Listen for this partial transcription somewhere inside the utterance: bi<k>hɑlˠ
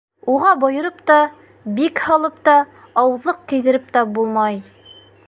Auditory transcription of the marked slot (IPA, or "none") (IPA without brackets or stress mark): k